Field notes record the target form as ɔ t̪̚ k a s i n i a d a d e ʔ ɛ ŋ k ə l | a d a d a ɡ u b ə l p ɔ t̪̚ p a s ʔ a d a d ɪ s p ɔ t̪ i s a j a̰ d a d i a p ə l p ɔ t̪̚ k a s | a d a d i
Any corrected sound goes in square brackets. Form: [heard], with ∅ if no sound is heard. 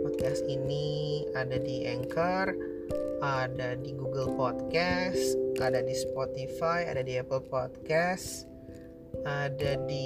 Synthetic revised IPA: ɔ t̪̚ k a s i n i a d a d [i] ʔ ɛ ŋ k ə [r] | a d a d [i] ɡ u [ɡ] ə l p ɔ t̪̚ [k] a s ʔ a d a d [i] s p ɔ t̪ i [f] a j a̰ d a d i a p ə l p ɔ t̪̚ k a s | a d a d i